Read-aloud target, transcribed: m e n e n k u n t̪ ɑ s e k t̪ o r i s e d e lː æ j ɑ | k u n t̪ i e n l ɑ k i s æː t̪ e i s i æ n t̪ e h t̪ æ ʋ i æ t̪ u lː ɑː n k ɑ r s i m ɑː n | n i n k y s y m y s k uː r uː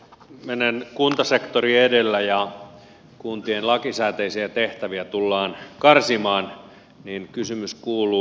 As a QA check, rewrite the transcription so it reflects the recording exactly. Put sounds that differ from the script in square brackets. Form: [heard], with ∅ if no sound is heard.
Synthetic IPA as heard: m e n e n k u n t̪ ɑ s e k t̪ o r i [∅] e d e lː æ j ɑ | k u n t̪ i e n l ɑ k i s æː t̪ e i s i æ [∅] t̪ e h t̪ æ ʋ i æ t̪ u lː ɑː n k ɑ r s i m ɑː n | n i n k y s y m y s k uː [l] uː